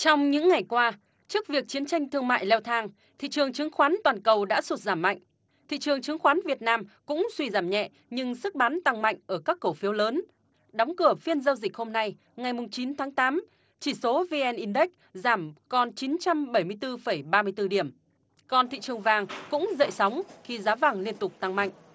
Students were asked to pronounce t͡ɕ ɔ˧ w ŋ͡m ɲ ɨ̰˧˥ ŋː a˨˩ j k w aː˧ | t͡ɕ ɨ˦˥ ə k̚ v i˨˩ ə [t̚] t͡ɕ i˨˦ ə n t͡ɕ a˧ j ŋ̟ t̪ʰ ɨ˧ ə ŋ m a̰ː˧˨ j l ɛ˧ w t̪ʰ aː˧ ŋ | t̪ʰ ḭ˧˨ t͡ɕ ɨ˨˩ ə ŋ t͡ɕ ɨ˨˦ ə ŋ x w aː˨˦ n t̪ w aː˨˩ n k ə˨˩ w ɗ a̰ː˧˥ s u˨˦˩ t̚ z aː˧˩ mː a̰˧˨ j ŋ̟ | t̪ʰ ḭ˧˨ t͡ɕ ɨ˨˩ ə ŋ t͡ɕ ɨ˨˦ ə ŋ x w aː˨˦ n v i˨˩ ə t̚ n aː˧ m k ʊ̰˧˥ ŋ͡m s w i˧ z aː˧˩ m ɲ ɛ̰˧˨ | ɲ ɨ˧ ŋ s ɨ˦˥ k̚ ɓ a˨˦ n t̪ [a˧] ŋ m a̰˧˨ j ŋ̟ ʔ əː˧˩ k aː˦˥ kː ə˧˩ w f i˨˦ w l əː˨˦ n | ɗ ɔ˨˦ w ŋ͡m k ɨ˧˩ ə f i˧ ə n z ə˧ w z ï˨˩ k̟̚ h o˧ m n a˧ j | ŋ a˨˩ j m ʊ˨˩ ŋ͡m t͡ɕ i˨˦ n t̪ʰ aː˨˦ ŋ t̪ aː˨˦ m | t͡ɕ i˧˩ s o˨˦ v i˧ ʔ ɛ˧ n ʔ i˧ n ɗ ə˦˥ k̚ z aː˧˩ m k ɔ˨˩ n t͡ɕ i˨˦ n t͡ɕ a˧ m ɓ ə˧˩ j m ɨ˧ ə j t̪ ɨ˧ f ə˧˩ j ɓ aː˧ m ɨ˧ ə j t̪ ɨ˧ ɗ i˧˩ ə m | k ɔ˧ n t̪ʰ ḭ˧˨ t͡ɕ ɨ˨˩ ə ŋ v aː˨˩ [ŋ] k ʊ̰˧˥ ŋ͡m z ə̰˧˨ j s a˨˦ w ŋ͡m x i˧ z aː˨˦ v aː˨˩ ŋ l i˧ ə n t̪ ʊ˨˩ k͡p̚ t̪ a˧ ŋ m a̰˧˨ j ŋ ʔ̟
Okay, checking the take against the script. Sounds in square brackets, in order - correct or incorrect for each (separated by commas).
incorrect, correct, correct